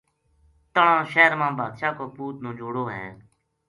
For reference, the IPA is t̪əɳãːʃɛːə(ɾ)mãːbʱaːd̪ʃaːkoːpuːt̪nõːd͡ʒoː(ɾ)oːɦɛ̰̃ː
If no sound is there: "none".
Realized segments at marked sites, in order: ɾ, ɽ

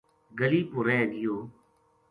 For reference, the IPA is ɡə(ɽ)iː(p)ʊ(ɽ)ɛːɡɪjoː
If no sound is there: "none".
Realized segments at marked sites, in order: l, p, ɾ

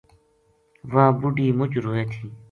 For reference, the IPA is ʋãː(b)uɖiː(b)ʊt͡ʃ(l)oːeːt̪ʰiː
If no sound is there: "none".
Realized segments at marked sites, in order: b, m, ɾ

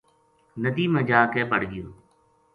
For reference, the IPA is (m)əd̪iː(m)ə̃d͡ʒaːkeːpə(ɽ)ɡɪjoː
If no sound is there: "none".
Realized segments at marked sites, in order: n, m, ɽ

